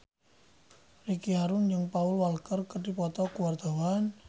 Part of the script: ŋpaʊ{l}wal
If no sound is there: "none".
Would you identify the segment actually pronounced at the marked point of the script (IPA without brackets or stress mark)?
l